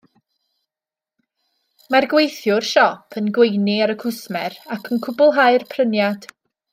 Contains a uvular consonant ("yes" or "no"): no